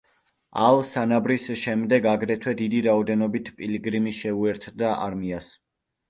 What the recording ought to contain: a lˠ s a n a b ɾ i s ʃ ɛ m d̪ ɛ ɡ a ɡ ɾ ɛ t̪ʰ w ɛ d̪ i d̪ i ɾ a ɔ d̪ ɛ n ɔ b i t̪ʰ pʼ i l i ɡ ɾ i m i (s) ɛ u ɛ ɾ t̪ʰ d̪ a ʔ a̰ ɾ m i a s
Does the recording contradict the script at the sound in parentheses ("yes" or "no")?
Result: yes